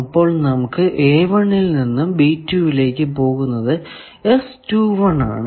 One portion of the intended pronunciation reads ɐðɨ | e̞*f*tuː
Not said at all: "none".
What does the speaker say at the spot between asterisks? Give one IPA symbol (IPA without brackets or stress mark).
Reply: s